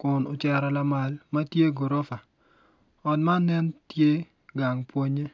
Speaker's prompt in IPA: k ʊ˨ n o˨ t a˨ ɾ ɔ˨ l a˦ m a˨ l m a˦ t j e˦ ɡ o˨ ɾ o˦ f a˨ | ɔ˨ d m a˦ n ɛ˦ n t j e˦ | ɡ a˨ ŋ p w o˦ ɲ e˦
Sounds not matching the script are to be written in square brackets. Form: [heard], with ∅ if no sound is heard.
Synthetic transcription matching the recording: k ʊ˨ n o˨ [t͡ʃ] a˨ ɾ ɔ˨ l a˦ m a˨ l m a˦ t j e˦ ɡ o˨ ɾ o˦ f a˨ | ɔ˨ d m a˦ n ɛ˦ n t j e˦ | ɡ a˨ ŋ p w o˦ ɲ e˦